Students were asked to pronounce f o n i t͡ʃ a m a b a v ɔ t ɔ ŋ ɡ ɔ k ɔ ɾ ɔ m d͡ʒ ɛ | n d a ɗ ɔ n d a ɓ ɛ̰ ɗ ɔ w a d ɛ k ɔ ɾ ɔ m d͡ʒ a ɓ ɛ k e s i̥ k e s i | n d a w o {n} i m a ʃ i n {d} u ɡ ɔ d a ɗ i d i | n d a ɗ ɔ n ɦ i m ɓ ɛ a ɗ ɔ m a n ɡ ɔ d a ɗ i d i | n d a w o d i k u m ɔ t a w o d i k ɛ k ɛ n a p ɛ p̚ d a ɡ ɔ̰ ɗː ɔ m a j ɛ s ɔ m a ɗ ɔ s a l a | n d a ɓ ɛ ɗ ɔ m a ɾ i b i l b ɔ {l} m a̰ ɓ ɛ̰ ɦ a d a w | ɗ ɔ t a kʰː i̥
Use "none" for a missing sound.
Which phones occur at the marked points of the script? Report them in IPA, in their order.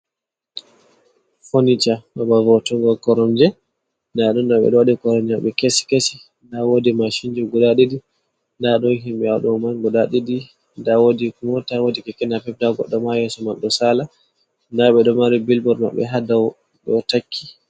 d, d͡ʒ, ɾ

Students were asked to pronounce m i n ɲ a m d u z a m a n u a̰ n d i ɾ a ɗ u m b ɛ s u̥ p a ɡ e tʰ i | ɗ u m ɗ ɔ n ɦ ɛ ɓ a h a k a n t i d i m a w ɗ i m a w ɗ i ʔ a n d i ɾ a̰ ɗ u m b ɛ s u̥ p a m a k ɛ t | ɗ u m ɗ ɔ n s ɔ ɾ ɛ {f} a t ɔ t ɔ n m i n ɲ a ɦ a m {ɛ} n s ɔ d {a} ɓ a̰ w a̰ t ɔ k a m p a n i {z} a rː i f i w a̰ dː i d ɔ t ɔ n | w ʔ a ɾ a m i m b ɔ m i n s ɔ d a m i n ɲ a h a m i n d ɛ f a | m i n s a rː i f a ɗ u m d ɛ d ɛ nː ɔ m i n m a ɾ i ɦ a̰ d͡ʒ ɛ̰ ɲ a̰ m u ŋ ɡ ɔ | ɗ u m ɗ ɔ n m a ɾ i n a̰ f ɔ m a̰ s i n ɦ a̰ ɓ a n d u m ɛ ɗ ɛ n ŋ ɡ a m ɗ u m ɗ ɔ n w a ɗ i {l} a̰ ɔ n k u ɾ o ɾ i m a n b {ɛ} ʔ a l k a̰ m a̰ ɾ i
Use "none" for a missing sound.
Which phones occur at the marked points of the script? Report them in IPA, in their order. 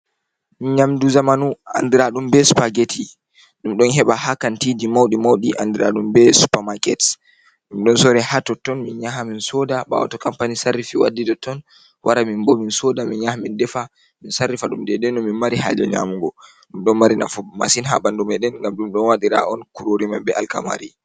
h, i, a, s, ɾ, ɛ

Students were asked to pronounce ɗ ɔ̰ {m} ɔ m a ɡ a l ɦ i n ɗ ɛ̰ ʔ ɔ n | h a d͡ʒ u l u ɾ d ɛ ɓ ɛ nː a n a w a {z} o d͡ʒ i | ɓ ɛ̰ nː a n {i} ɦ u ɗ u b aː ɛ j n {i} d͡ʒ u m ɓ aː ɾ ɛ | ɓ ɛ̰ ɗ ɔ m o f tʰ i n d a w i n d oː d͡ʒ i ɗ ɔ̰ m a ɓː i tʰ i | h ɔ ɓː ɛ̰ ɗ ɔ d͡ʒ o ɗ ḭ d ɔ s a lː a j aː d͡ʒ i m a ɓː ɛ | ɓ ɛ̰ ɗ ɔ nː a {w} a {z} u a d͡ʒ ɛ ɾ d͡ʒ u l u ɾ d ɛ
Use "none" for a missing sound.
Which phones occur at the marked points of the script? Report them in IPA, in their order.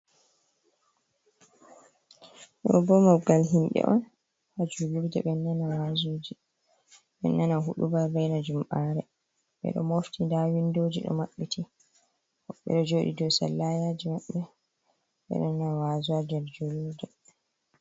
b, z, a, a, w, z

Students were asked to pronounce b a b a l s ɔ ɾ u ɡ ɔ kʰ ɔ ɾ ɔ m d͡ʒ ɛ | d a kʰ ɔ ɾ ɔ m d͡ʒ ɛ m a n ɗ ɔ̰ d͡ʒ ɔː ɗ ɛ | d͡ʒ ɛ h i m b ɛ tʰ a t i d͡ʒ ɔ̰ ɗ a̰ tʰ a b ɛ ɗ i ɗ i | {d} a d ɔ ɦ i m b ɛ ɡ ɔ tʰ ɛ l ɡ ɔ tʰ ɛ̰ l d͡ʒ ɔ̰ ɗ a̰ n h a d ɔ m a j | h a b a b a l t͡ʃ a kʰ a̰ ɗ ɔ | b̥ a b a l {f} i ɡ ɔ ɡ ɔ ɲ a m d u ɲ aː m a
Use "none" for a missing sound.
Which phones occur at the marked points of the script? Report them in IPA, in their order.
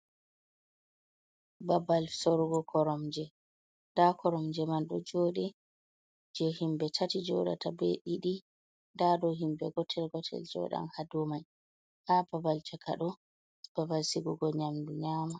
d, s

